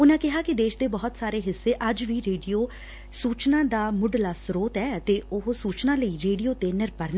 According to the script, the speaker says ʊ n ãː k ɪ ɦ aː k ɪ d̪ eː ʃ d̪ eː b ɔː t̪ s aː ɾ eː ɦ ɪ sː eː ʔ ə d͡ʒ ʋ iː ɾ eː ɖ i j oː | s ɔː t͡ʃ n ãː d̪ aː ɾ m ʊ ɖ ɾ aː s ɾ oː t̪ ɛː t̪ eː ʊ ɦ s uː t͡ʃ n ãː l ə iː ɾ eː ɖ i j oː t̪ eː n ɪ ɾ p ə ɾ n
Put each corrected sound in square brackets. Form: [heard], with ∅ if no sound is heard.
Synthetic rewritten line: ʊ n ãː k ɪ ɦ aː k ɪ d̪ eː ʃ d̪ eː b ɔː t̪ s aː ɾ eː ɦ ɪ sː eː ʔ ə d͡ʒ ʋ iː ɾ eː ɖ i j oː | s [uː] t͡ʃ n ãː d̪ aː [∅] m ʊ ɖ [l] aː s ɾ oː t̪ ɛː t̪ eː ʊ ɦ s uː t͡ʃ n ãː l ə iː ɾ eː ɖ i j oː t̪ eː n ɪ ɾ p ə ɾ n

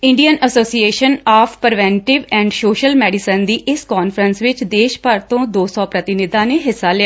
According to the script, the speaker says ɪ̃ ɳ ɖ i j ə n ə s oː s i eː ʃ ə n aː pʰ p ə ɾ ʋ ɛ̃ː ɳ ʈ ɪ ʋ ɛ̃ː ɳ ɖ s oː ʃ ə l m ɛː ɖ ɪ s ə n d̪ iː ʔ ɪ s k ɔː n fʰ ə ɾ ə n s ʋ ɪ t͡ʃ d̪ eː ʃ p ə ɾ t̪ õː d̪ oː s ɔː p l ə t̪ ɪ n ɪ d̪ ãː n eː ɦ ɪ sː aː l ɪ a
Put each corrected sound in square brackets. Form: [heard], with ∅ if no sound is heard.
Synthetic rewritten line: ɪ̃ ɳ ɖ i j ə n ə s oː s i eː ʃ ə n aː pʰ p ə ɾ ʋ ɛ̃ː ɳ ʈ ɪ ʋ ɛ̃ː ɳ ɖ s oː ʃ ə l m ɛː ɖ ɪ s ə n d̪ iː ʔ ɪ s k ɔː n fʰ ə ɾ ə n s ʋ ɪ t͡ʃ d̪ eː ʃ p ə ɾ t̪ õː d̪ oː s ɔː p [ɾ] ə t̪ ɪ n ɪ d̪ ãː n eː ɦ ɪ sː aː l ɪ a

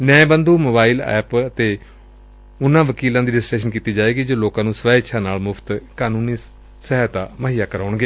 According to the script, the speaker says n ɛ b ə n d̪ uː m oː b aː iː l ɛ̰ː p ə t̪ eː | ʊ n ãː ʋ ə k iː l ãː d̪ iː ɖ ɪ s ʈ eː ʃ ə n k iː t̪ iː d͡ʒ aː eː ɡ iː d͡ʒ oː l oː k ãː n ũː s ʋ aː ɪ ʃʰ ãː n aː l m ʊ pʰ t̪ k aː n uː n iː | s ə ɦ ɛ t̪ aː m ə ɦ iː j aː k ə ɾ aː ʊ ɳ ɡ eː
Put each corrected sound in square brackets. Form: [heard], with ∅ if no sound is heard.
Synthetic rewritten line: n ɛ b ə n d̪ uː m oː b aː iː l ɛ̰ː p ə t̪ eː | ʊ n ãː ʋ ə k iː l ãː d̪ iː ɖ ɪ s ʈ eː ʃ ə n k iː t̪ iː d͡ʒ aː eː ɡ iː d͡ʒ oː l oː k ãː n ũː s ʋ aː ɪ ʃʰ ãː n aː l m ʊ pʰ t̪ k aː n uː n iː | s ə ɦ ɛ t̪ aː m ə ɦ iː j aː k ə ɾ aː ʊ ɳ ɡ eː

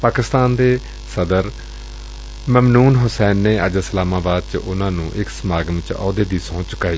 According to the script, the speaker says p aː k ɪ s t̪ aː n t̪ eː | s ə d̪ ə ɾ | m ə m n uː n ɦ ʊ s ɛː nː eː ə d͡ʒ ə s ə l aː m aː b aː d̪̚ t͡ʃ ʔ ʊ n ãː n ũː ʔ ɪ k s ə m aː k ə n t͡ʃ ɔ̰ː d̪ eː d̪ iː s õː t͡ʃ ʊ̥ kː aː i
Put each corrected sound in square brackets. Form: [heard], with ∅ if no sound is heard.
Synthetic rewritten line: p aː k ɪ s t̪ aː n [d̪] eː | s ə d̪ ə ɾ | m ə m n uː n ɦ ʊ s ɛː nː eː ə d͡ʒ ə s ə l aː m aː b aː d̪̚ t͡ʃ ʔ ʊ n ãː n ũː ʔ ɪ k s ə m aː [ɡ] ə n t͡ʃ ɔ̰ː d̪ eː d̪ iː s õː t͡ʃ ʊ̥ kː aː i

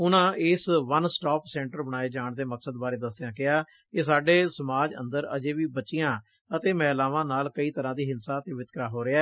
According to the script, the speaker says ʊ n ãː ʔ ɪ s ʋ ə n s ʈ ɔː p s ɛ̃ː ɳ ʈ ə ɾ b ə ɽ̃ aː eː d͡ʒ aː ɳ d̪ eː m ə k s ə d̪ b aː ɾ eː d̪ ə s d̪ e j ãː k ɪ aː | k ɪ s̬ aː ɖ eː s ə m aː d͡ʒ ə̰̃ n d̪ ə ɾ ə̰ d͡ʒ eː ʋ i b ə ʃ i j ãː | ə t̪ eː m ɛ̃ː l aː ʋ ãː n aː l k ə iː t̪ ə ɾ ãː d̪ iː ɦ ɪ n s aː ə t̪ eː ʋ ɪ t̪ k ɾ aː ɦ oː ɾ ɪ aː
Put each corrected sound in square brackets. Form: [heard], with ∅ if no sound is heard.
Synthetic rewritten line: ʊ n ãː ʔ ɪ s ʋ ə n s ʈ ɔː p s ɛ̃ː ɳ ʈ ə ɾ b ə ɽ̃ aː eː d͡ʒ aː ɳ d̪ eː m ə k s ə d̪ b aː ɾ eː d̪ ə s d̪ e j ãː k ɪ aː | k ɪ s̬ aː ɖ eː s ə m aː d͡ʒ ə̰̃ n d̪ ə ɾ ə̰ d͡ʒ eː ʋ [iː] b ə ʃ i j ãː | ə t̪ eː m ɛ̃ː l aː ʋ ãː n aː l k ə iː t̪ ə ɾ ãː d̪ iː ɦ ɪ n s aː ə t̪ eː ʋ ɪ t̪ k ɾ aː ɦ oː ɾ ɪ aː

